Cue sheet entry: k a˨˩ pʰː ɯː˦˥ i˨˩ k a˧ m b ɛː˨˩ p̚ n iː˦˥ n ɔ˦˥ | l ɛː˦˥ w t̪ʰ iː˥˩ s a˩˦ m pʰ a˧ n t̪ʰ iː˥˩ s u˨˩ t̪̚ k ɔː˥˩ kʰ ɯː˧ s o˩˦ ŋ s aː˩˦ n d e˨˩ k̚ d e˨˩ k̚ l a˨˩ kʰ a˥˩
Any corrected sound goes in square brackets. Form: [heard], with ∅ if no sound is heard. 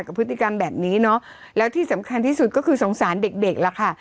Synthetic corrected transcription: k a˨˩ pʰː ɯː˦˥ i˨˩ k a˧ m b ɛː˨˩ p̚ n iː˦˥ n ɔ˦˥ | l ɛː˦˥ w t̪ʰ iː˥˩ s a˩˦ m [kʰ] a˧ n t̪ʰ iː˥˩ s u˨˩ t̪̚ k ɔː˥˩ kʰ ɯː˧ s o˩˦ ŋ s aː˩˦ n d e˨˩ k̚ d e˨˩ k̚ l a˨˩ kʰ a˥˩